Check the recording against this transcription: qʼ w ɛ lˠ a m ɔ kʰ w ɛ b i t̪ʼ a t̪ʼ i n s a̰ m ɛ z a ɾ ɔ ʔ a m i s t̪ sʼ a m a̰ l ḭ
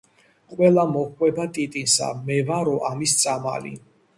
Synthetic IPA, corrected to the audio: qʼ w ɛ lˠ a m ɔ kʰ w ɛ b a t̪ʼ i t̪ʼ i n s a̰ m ɛ v a ɾ ɔ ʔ a m i s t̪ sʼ a m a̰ l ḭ